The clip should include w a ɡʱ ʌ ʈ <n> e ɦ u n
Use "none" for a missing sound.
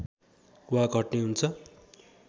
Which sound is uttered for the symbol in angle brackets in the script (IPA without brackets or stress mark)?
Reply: n